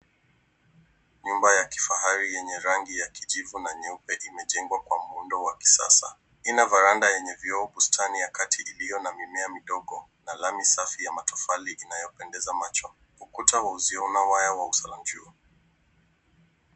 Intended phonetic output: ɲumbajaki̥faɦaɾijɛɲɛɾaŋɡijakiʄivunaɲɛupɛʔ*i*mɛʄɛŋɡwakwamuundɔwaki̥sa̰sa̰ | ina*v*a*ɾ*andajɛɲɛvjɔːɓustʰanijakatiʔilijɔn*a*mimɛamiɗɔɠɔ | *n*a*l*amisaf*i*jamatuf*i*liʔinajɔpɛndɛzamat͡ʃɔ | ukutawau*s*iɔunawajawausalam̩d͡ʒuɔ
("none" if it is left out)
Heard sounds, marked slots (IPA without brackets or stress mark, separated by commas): i, v, ɾ, a, n, l, i, a, z